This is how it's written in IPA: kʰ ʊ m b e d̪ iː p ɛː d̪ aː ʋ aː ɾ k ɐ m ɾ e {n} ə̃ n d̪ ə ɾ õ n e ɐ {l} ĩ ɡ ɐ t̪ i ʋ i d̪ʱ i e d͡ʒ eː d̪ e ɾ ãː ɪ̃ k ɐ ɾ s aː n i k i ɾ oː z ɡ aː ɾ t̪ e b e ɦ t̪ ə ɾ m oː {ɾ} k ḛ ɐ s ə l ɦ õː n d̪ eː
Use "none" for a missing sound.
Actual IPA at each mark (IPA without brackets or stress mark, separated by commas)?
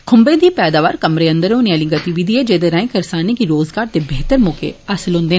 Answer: none, l, none